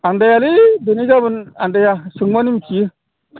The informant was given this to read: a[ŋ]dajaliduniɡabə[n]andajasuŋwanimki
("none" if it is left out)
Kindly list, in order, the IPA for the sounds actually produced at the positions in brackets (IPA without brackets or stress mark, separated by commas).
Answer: n, n